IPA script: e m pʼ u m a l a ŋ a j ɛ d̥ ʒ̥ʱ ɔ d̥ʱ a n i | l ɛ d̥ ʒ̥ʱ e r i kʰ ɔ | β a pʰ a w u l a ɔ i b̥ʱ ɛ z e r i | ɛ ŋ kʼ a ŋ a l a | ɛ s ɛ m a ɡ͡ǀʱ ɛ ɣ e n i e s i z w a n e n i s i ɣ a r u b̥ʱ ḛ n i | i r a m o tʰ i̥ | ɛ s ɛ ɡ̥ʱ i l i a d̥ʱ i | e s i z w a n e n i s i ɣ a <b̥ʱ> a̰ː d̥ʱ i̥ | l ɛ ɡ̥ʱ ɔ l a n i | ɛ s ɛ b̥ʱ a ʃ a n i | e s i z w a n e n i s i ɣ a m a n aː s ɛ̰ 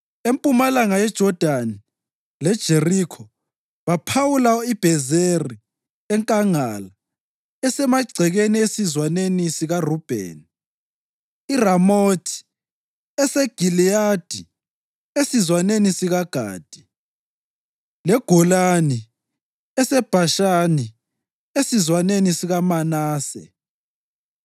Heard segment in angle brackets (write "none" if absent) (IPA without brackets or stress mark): ɡ̥ʱ